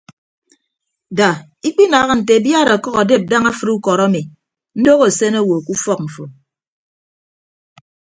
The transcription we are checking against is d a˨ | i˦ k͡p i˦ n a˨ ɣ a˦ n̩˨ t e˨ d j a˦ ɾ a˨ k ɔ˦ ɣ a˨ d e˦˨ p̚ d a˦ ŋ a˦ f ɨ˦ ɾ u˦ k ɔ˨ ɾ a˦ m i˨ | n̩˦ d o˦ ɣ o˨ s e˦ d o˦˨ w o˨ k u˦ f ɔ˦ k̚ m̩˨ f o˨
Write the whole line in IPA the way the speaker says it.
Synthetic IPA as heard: d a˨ | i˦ k͡p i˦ n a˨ ɣ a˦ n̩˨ t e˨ b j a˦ ɾ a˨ k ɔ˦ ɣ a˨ d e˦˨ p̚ d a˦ ŋ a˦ f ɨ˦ ɾ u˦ k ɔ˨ ɾ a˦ m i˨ | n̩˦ d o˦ ɣ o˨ s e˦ n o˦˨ w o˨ k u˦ f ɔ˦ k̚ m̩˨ f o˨